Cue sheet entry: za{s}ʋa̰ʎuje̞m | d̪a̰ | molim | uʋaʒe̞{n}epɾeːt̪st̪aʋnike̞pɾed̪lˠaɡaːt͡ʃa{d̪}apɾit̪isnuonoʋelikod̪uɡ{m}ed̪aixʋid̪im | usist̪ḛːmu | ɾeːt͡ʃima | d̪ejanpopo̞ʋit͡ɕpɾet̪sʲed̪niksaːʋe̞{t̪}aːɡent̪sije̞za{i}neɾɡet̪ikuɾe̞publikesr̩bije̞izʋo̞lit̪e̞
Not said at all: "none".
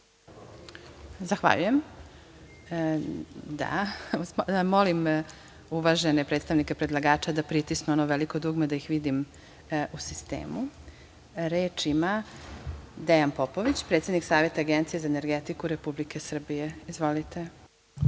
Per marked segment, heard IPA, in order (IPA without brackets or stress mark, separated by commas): x, n, d̪, m, t̪, e